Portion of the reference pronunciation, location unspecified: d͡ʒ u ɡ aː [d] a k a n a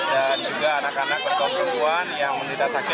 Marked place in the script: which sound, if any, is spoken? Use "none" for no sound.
n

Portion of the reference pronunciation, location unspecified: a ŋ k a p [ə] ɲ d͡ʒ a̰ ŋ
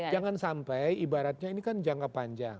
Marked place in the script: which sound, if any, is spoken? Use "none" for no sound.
a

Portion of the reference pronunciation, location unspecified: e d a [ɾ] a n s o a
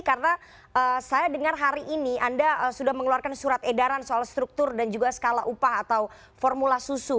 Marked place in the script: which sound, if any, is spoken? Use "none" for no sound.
ɾ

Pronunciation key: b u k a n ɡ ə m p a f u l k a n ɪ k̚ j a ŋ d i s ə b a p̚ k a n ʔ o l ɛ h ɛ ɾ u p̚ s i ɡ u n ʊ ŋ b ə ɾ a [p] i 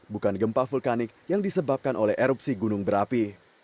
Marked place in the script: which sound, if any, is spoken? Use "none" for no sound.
p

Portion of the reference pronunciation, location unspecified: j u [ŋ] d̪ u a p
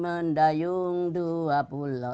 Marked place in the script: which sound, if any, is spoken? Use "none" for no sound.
ŋ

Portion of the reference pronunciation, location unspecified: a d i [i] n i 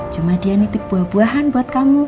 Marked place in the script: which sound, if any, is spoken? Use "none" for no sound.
a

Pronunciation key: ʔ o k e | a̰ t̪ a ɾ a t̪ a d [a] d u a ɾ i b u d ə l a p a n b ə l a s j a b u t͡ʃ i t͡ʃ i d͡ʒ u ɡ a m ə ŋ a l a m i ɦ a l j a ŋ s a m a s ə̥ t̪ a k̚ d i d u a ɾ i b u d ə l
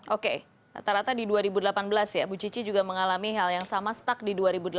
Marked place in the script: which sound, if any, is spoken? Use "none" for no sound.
i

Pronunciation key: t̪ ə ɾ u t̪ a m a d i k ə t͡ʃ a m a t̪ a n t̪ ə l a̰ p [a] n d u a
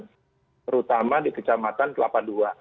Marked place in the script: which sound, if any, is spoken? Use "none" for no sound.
a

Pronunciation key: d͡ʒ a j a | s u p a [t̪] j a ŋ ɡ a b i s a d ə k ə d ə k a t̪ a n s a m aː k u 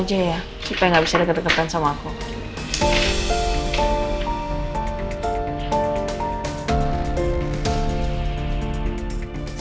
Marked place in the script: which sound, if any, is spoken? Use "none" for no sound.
none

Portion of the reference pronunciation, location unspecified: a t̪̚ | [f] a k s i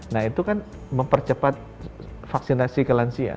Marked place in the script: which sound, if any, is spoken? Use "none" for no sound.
f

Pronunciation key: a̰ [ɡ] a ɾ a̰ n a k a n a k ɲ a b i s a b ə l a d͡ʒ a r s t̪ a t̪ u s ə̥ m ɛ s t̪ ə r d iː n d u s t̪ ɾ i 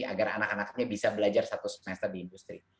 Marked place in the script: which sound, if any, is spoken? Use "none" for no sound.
ɡ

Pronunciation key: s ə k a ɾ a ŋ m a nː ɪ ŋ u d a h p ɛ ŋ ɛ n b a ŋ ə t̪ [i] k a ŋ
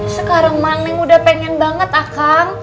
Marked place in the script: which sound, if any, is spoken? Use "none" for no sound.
a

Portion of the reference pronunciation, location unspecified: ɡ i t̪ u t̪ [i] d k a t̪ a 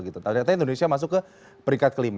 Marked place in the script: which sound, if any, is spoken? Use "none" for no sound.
a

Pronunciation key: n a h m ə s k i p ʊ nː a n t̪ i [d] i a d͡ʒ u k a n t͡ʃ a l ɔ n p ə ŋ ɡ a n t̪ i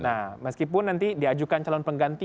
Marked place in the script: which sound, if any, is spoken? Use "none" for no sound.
d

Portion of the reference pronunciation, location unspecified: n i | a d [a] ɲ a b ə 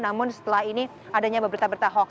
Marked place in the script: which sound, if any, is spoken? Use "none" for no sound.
a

